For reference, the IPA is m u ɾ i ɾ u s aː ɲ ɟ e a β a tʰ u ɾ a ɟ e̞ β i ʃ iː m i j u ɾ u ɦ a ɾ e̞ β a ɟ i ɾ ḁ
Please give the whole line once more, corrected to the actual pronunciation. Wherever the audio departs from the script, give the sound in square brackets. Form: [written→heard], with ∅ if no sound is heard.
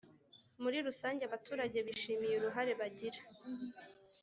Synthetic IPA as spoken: m u ɾ i ɾ u s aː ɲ ɟ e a β a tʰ [u→uː] ɾ a ɟ e̞ β i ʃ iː m i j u ɾ u ɦ a ɾ e̞ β a ɟ i ɾ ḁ